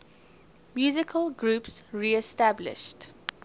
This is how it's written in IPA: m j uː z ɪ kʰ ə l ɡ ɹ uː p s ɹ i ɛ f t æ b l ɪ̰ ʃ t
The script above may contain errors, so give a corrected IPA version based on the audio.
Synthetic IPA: m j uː z ɪ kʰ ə l ɡ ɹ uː p s ɹ i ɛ s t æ b l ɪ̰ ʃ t